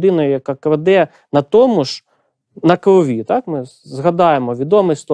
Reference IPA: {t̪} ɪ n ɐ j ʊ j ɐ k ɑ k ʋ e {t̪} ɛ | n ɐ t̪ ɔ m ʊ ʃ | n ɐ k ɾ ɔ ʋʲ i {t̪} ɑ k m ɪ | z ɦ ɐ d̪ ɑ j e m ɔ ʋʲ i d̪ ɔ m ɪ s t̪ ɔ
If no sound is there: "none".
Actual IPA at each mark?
d̪, d̪, t̪

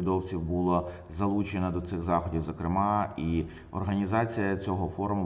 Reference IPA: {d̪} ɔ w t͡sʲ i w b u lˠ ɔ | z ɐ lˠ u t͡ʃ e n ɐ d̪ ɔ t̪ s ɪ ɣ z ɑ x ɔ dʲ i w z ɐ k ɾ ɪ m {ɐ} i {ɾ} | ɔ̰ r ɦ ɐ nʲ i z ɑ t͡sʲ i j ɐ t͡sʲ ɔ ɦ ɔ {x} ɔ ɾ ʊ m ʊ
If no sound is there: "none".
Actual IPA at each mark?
d̪, ɑ, none, f

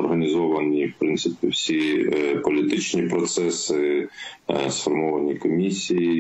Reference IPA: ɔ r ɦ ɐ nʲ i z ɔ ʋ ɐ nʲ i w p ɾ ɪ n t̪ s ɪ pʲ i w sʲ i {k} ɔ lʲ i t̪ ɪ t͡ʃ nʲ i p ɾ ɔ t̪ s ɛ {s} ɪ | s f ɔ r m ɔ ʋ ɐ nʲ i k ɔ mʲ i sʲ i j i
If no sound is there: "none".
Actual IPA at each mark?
p, s

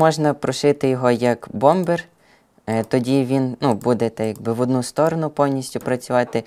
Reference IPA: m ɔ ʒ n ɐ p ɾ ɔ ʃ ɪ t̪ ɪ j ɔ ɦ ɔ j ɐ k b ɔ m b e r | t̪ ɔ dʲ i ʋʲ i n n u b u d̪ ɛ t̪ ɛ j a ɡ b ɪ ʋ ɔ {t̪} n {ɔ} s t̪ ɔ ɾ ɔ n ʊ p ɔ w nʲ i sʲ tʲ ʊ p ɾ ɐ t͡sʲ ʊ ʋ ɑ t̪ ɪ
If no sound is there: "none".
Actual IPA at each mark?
d̪, u

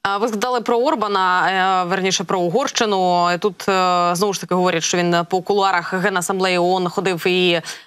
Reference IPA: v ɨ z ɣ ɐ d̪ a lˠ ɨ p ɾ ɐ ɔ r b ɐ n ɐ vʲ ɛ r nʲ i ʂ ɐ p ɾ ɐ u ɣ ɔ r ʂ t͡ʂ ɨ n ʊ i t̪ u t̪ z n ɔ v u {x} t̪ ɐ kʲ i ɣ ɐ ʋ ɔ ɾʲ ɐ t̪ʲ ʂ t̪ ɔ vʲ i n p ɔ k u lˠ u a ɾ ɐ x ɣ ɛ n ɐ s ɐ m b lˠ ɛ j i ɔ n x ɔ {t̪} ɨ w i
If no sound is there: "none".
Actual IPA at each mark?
ʂ, d̪

